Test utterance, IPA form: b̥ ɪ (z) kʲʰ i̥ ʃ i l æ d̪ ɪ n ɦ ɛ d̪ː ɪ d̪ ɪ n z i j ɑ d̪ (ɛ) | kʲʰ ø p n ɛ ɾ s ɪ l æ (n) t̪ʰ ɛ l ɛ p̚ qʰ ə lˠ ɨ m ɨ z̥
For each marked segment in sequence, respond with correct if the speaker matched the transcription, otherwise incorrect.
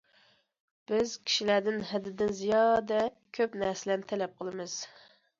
correct, correct, correct

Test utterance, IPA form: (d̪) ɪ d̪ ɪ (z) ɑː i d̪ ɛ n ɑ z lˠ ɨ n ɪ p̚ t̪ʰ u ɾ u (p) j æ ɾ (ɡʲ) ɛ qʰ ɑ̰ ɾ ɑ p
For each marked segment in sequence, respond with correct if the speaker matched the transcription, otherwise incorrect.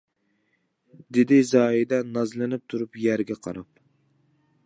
correct, correct, correct, correct

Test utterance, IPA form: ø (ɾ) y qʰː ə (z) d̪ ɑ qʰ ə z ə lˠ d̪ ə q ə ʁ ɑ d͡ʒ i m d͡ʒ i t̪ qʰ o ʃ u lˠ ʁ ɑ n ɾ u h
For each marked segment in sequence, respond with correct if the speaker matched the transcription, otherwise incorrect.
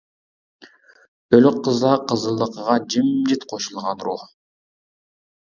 incorrect, correct

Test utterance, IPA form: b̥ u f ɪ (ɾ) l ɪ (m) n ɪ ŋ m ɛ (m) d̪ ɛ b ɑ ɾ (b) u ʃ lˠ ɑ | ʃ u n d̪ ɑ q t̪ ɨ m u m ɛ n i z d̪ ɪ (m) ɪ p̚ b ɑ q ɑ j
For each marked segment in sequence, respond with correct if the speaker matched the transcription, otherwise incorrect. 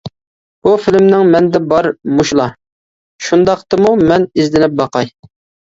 incorrect, correct, incorrect, incorrect, incorrect

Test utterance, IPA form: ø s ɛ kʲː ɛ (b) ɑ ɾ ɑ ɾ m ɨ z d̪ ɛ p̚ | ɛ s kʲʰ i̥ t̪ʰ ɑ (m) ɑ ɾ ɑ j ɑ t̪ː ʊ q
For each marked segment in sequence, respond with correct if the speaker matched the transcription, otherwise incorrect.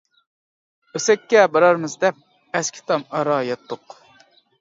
correct, correct

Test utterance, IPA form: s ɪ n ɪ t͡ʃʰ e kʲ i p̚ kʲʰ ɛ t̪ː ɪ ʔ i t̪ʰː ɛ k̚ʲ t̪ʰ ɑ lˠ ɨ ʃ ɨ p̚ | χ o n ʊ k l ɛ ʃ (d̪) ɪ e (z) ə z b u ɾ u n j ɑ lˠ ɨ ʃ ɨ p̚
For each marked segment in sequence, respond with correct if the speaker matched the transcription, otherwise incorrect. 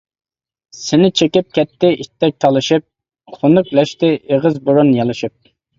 incorrect, incorrect

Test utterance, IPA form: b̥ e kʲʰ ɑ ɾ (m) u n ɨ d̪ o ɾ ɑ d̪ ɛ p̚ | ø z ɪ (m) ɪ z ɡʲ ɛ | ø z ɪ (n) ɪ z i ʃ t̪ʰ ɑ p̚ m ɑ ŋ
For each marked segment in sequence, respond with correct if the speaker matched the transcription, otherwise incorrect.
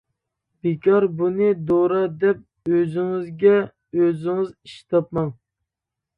incorrect, incorrect, incorrect

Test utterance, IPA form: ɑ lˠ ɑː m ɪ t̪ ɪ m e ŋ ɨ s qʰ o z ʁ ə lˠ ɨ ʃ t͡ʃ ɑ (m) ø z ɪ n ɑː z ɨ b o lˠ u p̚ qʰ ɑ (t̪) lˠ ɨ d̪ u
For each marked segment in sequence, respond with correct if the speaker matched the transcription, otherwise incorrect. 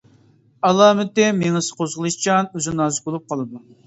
incorrect, incorrect

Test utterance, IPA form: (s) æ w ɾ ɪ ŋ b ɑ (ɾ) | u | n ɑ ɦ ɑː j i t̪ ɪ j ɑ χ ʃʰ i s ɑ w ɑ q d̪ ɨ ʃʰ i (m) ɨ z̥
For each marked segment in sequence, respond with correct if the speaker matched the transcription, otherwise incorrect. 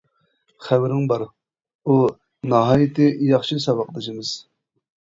incorrect, correct, correct

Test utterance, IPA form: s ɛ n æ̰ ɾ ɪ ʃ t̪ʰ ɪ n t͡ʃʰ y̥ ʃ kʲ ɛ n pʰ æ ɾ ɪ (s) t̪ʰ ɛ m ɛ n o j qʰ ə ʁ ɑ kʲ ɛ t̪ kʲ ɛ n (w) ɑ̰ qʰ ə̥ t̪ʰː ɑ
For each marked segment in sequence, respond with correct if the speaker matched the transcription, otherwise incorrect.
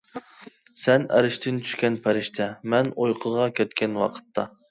incorrect, correct

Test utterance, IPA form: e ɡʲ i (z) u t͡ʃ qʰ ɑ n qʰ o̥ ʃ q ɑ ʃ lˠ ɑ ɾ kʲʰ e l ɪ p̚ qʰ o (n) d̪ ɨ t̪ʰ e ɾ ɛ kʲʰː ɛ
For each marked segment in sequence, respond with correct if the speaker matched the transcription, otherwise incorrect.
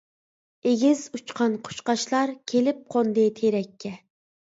correct, correct

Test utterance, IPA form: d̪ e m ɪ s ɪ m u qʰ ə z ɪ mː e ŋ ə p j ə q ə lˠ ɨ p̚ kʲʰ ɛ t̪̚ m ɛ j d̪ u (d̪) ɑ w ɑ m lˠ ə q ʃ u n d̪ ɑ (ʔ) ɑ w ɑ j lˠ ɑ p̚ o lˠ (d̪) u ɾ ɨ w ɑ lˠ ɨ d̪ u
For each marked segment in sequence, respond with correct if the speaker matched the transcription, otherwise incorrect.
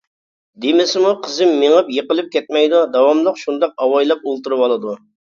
correct, incorrect, incorrect

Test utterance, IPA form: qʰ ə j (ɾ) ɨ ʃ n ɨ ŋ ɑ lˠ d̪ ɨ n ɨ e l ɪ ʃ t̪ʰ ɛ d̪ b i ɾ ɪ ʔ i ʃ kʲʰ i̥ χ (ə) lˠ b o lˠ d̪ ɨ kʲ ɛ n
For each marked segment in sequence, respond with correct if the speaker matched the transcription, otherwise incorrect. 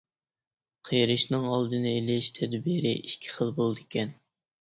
correct, correct

